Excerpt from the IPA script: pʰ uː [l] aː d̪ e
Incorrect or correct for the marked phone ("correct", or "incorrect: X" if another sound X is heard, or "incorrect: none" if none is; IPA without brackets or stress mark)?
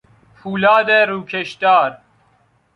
correct